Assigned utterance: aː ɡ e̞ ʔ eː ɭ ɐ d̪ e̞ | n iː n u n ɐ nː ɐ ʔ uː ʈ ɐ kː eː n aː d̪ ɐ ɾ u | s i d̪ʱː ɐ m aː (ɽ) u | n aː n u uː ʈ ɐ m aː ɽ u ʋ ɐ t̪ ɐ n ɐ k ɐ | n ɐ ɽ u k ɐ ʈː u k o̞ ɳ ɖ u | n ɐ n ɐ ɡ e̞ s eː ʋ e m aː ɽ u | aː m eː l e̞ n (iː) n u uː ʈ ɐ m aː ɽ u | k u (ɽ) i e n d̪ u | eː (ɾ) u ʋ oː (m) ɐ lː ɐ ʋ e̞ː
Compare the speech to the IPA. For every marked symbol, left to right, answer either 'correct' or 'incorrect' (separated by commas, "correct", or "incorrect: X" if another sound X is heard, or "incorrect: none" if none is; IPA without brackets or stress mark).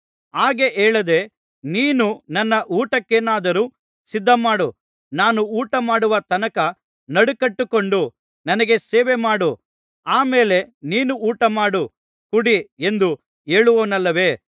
correct, correct, correct, incorrect: ɭ, incorrect: n